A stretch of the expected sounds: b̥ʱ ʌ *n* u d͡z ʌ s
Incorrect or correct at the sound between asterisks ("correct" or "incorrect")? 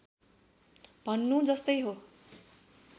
incorrect